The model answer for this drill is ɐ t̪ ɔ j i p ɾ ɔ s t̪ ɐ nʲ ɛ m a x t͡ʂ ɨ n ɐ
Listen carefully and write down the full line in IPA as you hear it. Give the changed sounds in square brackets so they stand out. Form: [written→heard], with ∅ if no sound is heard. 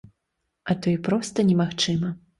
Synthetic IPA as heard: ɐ t̪ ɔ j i p ɾ ɔ s t̪ ɐ nʲ ɛ m a x t͡ʂ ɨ [n→m] ɐ